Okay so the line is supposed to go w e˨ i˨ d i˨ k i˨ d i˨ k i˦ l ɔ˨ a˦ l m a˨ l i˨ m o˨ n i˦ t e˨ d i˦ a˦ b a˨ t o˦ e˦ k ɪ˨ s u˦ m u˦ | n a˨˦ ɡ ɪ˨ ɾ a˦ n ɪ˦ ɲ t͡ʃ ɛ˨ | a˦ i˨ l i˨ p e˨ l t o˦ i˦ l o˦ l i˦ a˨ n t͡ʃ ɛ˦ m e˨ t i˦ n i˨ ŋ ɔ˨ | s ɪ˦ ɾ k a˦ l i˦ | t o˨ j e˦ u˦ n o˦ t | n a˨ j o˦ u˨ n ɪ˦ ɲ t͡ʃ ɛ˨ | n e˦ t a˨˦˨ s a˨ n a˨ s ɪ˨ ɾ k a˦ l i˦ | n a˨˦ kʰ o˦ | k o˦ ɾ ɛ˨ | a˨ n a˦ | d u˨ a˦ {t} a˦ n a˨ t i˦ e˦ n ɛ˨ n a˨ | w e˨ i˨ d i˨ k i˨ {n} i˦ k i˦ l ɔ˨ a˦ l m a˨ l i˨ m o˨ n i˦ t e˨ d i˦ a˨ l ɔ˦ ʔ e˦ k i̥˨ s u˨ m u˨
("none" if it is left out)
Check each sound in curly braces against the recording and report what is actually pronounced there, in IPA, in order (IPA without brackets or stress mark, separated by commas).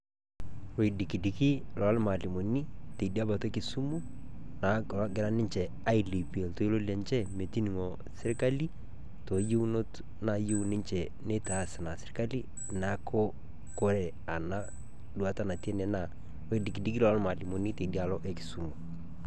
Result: t, d